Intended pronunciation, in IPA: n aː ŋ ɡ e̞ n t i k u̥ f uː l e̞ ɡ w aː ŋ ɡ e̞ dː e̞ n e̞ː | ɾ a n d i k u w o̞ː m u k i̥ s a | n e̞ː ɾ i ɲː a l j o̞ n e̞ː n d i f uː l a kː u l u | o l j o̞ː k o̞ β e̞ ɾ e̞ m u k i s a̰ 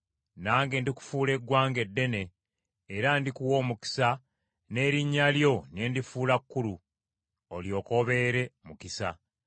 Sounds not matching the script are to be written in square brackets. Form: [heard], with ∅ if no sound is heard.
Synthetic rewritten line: n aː ŋ ɡ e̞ n [d] i k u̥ f uː l e̞ ɡ w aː ŋ ɡ e̞ dː e̞ n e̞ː | ɾ a n d i k u w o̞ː m u k i̥ s a | n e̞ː ɾ i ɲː a l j o̞ n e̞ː n d i f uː l a kː u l u | o l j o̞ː k o̞ β e̞ ɾ e̞ m u k i s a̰